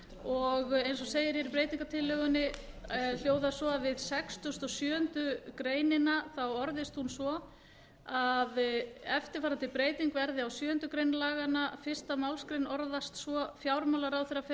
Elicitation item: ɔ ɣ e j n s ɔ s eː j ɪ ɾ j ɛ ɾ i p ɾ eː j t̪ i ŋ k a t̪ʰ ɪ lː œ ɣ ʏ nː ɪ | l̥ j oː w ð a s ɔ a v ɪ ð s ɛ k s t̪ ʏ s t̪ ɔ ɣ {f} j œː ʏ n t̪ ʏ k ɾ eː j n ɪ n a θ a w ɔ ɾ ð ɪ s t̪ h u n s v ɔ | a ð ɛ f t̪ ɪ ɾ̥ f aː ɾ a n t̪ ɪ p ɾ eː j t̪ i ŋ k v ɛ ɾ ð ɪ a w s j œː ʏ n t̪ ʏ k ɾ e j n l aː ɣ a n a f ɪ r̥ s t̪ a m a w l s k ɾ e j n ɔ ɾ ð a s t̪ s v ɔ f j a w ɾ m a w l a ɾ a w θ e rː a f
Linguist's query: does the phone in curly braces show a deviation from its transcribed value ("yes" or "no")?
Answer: yes